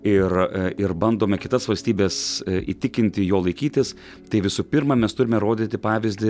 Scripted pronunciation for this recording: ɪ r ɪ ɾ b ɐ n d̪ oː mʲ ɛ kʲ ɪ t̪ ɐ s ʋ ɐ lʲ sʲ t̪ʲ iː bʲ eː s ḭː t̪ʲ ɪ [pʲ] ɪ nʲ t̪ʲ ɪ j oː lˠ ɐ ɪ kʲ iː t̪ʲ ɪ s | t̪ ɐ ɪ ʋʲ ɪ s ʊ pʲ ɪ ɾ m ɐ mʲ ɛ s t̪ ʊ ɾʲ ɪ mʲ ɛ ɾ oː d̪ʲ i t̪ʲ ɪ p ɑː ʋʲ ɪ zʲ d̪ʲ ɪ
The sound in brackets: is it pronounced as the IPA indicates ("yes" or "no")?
no